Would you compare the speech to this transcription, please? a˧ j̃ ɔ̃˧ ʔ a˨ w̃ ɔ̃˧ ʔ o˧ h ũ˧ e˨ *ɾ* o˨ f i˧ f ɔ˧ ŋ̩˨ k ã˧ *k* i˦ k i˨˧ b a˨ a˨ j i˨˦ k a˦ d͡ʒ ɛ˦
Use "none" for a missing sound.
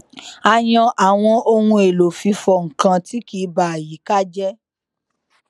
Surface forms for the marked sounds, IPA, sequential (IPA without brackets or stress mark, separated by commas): l, t